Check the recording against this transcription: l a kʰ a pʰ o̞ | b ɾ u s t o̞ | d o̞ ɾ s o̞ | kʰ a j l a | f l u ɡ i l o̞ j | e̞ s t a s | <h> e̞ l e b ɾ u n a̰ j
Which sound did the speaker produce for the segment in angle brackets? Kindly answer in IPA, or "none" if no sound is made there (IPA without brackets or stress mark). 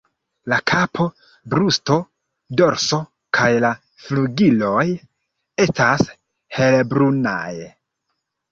h